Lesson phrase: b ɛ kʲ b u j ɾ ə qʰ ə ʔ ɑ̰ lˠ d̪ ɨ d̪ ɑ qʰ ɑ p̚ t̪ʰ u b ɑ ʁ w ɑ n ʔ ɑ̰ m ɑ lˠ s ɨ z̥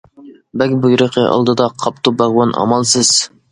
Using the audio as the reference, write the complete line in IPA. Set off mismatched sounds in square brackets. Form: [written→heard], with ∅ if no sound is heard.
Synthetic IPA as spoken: b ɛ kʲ b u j ɾ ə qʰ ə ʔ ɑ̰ lˠ d̪ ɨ d̪ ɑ qʰ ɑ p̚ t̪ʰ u b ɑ ʁ w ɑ n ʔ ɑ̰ m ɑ lˠ s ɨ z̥

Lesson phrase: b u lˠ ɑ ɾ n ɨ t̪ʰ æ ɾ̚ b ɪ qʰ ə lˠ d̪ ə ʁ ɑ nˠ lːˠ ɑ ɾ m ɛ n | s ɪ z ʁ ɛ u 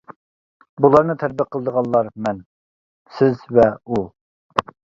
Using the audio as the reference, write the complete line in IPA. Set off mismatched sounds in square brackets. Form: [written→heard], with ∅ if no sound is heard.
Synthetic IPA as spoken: b u lˠ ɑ ɾ n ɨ t̪ʰ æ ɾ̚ b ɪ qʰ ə lˠ d̪ ə ʁ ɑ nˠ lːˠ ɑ ɾ m ɛ n | s ɪ z [ʁ→v] ɛ u

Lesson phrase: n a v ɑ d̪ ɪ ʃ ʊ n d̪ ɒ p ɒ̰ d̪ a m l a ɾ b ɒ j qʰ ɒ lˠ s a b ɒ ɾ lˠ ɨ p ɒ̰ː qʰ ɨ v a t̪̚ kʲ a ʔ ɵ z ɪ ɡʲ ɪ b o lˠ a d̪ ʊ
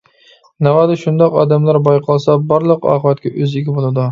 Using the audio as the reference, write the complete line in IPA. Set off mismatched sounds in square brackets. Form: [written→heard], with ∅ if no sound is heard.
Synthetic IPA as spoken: n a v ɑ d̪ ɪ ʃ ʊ n d̪ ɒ [p→q] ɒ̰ d̪ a m l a ɾ b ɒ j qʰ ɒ lˠ s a b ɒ ɾ lˠ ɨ [p→q] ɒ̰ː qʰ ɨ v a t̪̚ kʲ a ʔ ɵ z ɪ ɡʲ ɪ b o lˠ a d̪ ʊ

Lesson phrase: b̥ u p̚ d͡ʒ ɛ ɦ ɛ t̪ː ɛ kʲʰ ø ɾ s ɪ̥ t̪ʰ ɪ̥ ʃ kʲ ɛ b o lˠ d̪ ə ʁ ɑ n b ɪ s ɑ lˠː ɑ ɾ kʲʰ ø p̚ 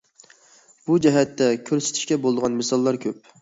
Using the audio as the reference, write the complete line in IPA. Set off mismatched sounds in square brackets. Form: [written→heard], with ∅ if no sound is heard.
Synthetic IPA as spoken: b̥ u [p̚→∅] d͡ʒ ɛ ɦ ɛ t̪ː ɛ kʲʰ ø ɾ s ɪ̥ t̪ʰ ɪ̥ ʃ kʲ ɛ b o lˠ d̪ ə ʁ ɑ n [b→m] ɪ s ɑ lˠː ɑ ɾ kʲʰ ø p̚

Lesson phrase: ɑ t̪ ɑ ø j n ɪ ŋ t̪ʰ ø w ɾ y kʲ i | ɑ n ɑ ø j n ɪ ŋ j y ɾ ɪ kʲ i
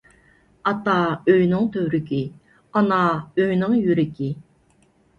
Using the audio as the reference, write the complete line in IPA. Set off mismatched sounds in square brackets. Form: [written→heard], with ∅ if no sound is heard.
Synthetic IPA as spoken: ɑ t̪ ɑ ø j n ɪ ŋ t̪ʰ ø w ɾ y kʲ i | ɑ n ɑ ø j n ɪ ŋ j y ɾ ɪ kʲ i

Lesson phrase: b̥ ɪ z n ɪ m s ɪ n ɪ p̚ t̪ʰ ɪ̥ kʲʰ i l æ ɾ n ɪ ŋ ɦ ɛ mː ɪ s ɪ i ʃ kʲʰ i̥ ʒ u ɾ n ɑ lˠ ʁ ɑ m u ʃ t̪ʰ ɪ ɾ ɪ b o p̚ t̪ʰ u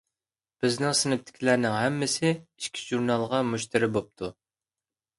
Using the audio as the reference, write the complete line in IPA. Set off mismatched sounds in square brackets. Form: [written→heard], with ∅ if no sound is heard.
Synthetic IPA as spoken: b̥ ɪ z n ɪ [m→ŋ] s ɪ n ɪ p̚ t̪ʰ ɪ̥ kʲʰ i l æ ɾ n ɪ ŋ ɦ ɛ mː ɪ s ɪ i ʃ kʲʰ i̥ ʒ u ɾ n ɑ lˠ ʁ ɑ m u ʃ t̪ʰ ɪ ɾ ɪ b o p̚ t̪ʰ u

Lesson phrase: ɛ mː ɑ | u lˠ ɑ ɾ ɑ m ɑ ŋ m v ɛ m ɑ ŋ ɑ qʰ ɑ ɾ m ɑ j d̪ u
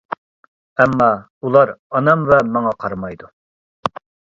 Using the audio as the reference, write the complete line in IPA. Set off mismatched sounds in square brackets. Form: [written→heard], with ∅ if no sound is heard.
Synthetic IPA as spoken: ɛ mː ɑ | u lˠ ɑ ɾ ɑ [m→n] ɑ [ŋ→∅] m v ɛ m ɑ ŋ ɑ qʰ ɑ ɾ m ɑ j d̪ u

